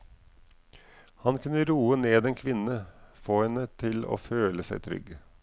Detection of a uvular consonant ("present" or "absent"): absent